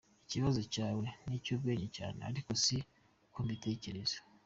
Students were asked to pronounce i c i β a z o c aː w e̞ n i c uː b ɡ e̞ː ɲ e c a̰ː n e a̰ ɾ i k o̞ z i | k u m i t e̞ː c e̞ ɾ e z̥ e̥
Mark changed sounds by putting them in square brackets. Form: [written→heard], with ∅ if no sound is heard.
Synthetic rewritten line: i c i β a z o c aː w e̞ n i c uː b ɡ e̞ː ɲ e c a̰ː n e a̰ ɾ i k o̞ [z→s] i | k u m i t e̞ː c e̞ ɾ e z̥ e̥